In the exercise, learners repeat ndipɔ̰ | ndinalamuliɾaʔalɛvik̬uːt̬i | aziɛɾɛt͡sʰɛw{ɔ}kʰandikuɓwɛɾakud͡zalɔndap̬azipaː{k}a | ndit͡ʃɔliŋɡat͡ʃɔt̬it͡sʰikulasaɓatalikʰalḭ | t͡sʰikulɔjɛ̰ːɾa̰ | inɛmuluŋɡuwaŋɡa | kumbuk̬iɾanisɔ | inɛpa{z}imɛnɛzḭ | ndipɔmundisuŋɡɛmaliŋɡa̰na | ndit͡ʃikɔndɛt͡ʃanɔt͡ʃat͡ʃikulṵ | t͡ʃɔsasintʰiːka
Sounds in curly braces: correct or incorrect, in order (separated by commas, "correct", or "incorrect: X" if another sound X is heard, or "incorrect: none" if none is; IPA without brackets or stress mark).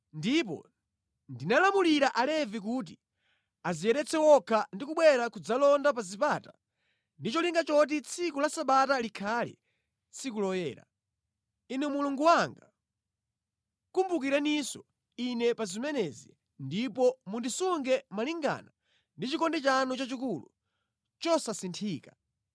correct, incorrect: t, correct